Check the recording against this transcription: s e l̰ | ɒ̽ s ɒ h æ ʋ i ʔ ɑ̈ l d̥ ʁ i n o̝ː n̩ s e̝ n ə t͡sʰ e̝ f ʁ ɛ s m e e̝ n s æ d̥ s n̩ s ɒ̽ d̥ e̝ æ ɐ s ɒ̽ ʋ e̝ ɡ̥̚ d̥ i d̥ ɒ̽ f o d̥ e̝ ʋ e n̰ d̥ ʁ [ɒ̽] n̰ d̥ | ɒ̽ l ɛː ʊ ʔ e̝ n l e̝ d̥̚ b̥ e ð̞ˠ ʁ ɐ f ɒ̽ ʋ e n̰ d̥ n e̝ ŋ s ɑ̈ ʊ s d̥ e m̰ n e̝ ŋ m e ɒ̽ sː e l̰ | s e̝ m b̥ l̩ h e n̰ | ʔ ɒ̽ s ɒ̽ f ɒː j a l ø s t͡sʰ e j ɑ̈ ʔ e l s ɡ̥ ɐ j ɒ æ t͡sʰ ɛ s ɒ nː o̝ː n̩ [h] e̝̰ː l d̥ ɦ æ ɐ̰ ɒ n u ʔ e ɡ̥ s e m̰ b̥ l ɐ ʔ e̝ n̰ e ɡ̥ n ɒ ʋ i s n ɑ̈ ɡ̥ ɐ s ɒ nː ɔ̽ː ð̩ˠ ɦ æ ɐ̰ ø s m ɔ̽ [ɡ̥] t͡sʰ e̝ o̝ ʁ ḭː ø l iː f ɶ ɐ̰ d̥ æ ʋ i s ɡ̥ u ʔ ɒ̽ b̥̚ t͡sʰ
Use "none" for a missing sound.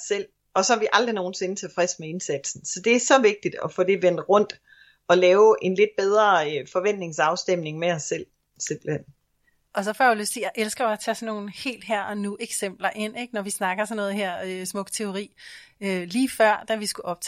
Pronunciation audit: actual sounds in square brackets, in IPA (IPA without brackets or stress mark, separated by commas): ɔ̽, h, ɡ̥